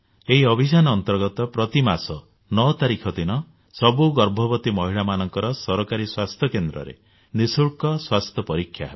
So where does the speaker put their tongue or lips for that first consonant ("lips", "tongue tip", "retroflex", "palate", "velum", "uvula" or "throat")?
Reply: throat